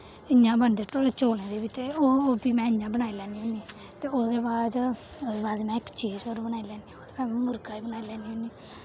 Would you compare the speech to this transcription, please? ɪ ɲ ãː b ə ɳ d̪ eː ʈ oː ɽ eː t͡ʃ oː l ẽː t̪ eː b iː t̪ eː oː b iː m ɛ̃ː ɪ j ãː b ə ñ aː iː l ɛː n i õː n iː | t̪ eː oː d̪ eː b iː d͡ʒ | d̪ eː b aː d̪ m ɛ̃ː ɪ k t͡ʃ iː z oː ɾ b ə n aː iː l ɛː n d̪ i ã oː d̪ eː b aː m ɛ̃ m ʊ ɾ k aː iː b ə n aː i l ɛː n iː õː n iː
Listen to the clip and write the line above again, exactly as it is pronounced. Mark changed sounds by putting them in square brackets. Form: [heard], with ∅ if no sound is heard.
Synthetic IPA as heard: ɪ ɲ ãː b ə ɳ d̪ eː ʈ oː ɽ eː t͡ʃ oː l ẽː [d̪] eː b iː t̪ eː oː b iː m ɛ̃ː ɪ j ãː b ə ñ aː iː l ɛː n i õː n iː | t̪ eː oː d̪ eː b [aː] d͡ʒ | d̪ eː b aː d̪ m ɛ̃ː ɪ k t͡ʃ iː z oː ɾ b ə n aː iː l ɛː n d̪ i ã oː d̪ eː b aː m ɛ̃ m ʊ ɾ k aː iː b ə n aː i l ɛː n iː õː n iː